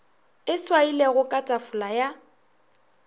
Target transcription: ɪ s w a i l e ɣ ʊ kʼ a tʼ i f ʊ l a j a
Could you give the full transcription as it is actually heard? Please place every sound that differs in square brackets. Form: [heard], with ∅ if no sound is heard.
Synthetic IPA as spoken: ɪ s w a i l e ɣ ʊ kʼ a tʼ [a] f ʊ l a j a

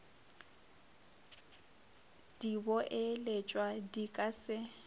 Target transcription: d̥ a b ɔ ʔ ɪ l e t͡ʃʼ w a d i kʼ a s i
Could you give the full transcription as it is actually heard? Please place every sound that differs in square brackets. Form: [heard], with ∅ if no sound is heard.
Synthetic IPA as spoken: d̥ [i] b ɔ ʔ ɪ l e t͡ʃʼ w a d i kʼ a s [ɪ]

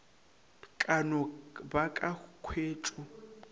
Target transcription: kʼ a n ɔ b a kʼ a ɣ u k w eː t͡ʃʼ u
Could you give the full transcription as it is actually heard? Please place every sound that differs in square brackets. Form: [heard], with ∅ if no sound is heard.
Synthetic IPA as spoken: kʼ a n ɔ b a kʼ a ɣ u [kʰ] w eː t͡ʃʼ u

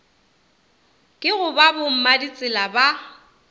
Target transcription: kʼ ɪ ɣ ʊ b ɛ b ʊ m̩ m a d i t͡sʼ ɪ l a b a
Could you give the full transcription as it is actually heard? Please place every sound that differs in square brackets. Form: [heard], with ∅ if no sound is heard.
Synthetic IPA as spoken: kʼ ɪ ɣ ʊ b [a] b ʊ m̩ m a d i t͡sʼ ɪ l a b a

